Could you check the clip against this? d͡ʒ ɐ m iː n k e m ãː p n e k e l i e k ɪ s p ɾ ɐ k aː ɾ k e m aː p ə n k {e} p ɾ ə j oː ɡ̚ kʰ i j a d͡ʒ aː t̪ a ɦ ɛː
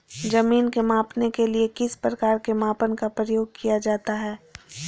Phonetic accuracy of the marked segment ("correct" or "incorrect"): incorrect